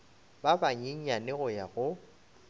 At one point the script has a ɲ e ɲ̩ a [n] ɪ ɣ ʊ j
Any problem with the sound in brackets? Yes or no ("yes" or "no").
no